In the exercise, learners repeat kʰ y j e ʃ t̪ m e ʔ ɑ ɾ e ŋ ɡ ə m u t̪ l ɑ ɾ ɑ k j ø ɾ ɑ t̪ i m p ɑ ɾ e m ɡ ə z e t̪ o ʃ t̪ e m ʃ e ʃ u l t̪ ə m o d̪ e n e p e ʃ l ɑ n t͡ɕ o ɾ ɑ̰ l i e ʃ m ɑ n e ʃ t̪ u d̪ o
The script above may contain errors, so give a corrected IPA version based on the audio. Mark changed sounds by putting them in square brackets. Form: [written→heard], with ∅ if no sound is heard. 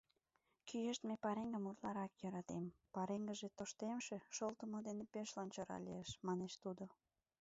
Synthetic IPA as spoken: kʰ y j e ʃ t̪ m e [ʔ→p] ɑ ɾ e ŋ ɡ ə m u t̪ l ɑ ɾ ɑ k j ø ɾ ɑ t̪ [i→e] m p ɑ ɾ e [m→ŋ] ɡ ə [z→ʒ] e t̪ o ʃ t̪ e m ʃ e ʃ [u→o] l t̪ ə m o d̪ e n e p e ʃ l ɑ n t͡ɕ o ɾ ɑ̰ l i e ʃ m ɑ n e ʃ t̪ u d̪ o